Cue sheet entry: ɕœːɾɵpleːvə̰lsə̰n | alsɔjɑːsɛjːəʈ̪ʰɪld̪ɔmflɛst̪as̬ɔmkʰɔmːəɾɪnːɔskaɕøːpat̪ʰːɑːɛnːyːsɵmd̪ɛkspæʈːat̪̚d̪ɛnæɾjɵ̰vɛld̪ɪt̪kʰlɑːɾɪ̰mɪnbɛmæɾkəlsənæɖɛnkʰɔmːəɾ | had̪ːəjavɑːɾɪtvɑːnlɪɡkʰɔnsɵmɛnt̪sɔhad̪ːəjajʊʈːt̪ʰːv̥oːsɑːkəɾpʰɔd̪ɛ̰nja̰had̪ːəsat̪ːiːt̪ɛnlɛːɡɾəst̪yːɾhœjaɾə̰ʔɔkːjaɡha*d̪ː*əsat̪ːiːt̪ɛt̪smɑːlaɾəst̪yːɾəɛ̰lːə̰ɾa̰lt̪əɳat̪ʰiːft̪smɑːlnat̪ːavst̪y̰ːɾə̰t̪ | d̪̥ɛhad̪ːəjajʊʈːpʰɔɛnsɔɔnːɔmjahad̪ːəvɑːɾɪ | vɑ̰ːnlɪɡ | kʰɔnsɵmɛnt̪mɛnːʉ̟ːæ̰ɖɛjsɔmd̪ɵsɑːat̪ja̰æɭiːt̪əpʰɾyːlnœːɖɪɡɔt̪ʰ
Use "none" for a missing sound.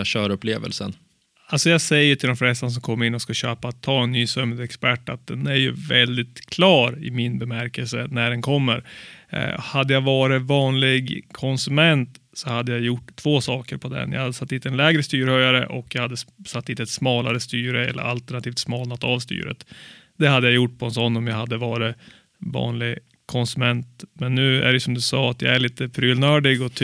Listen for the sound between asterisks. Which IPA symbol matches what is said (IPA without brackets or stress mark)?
d̪ː